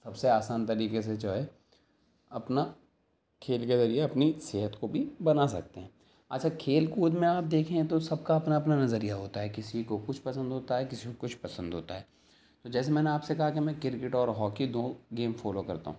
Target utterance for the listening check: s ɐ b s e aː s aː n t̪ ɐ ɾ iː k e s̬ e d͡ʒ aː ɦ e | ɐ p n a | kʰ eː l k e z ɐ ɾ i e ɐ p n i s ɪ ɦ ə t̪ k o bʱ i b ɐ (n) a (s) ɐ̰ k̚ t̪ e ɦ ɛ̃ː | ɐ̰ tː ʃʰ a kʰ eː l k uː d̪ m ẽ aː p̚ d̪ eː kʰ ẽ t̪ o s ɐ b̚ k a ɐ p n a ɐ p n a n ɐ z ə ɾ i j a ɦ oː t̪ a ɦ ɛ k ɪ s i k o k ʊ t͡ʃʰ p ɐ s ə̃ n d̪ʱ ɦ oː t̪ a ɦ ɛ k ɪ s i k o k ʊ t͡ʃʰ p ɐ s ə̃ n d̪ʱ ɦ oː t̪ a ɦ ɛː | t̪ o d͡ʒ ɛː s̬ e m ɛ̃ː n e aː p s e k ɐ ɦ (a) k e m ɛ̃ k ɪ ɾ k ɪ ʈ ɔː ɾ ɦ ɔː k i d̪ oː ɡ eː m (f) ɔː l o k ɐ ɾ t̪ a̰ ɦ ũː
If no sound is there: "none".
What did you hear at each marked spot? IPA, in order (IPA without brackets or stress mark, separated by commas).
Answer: n, s, a, f